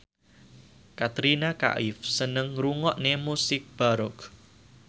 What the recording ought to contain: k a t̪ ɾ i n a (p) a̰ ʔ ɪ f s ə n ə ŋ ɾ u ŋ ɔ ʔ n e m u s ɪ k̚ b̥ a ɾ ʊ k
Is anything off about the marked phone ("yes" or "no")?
yes